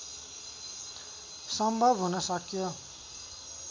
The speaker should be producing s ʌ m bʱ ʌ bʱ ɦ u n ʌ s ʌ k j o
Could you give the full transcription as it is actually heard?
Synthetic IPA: s ʌ m bʱ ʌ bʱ ɦ u n ʌ s ʌ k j o